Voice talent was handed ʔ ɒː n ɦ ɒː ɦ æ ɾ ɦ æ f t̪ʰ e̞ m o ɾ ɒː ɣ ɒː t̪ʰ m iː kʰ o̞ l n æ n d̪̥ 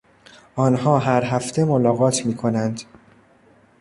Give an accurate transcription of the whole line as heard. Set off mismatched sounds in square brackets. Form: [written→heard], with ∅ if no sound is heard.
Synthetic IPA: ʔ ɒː n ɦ ɒː ɦ æ ɾ ɦ æ f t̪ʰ e̞ m o [ɾ→l] ɒː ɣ ɒː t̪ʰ m iː kʰ o̞ [l→∅] n æ n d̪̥